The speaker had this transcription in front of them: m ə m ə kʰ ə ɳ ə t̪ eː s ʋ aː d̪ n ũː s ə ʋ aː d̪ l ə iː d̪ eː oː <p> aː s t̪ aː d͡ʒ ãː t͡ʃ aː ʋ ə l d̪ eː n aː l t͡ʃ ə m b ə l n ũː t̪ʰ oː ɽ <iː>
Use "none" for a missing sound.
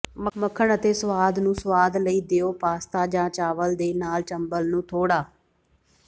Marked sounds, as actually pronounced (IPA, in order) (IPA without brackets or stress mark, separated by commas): p, aː